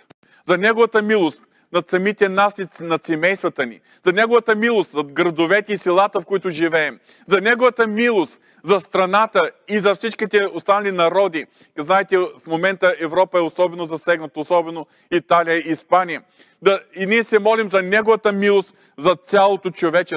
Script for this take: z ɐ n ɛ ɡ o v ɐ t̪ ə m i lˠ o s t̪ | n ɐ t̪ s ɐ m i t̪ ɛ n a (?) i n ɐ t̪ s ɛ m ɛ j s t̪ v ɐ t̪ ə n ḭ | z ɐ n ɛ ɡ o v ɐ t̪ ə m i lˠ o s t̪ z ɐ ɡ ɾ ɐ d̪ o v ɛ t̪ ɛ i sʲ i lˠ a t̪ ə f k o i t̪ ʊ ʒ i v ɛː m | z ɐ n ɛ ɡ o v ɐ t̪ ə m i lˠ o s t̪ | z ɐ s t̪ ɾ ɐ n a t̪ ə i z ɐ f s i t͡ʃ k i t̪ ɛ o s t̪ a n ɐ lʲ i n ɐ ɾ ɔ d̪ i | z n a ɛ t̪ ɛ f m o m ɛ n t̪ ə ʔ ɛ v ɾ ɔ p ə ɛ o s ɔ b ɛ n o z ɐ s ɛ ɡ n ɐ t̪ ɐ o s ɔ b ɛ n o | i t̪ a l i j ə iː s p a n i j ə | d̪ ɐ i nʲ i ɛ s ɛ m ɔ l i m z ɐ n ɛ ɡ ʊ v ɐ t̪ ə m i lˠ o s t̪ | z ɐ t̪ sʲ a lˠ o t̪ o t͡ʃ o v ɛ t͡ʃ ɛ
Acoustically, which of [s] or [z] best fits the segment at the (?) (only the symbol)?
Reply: s